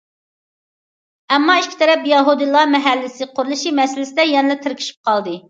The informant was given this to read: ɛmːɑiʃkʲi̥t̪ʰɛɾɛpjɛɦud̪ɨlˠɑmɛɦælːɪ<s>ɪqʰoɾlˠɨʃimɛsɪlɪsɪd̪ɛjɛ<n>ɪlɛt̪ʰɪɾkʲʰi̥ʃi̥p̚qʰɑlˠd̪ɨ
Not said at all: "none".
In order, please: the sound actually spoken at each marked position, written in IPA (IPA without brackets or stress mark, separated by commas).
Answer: s, n